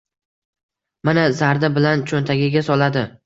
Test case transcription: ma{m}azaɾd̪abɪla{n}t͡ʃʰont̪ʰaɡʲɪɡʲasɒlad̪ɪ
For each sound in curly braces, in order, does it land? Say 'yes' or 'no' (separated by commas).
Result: no, yes